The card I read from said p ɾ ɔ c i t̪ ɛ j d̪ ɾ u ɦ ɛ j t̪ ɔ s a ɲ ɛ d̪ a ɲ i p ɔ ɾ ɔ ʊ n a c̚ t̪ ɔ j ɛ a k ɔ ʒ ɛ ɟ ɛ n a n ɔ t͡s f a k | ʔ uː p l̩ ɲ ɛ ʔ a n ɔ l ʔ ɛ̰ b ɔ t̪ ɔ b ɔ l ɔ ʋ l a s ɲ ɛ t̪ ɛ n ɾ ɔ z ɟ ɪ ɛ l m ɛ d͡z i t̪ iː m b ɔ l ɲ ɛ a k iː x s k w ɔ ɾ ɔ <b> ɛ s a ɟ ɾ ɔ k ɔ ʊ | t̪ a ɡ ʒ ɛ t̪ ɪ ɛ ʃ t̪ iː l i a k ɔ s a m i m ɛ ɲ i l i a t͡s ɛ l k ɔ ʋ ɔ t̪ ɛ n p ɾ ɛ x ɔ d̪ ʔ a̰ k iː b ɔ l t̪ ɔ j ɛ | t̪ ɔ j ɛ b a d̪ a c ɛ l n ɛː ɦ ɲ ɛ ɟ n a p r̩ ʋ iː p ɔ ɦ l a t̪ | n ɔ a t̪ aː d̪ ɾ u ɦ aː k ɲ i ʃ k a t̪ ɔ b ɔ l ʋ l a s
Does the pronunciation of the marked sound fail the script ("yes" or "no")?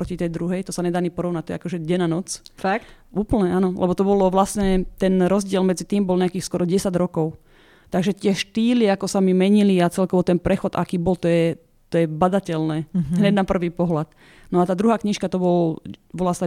yes